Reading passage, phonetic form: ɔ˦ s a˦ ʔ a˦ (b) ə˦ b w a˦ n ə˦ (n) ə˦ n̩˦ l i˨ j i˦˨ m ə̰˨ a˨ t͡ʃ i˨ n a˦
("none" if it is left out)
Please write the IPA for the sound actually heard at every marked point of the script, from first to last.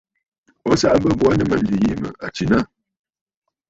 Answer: b, m

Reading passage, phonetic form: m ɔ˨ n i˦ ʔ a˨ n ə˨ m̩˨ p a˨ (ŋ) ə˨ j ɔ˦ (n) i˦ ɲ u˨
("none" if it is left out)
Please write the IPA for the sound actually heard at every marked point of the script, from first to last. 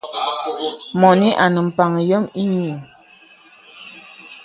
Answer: ŋ, m

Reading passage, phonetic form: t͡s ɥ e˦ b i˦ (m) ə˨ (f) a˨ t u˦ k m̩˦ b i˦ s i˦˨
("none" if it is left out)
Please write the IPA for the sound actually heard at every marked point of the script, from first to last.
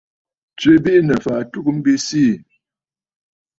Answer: n, f

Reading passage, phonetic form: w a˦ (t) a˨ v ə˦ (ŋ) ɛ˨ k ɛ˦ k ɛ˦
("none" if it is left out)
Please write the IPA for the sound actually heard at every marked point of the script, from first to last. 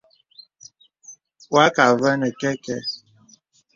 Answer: k, n

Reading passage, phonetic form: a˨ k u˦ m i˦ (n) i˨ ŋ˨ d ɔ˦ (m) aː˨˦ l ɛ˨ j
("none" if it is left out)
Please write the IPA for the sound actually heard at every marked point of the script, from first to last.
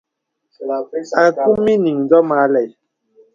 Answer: n, m

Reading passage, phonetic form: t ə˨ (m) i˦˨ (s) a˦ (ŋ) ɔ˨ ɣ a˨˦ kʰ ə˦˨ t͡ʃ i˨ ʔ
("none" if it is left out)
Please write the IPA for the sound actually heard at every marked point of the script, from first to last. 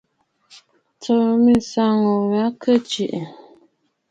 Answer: m, s, ŋ

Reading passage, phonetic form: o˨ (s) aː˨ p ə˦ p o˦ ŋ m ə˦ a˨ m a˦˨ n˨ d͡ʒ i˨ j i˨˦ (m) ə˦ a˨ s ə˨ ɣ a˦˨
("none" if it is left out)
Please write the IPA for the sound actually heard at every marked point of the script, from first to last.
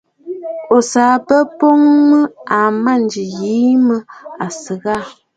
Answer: s, m

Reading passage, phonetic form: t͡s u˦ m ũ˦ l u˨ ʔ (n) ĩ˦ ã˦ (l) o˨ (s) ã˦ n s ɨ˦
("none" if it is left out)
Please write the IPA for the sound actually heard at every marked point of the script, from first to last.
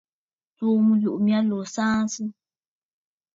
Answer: m, l, s

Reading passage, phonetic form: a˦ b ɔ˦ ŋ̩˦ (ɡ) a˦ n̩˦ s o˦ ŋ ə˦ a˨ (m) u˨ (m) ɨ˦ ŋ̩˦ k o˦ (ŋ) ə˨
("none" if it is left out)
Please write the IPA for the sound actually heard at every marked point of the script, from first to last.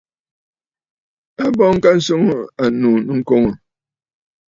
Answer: k, n, n, ŋ

